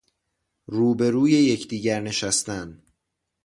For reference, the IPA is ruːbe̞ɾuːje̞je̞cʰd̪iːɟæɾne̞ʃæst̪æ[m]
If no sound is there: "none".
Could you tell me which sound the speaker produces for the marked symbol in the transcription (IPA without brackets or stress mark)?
n